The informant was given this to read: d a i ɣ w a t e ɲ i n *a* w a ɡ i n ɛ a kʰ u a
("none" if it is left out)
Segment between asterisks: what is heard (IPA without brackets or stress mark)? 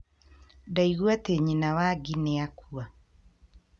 a